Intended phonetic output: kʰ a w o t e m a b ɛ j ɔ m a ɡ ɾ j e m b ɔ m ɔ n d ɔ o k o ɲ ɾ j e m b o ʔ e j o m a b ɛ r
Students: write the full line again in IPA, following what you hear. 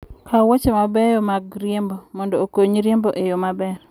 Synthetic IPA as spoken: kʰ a w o t͡ʃ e m a b ɛ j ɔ m a ɡ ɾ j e m b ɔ m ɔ n d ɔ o k o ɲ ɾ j e m b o ʔ e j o m a b ɛ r